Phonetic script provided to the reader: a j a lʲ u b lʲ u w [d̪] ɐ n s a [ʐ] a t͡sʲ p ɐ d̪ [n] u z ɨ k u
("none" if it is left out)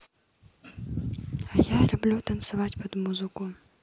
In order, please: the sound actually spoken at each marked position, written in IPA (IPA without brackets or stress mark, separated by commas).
t̪, v, m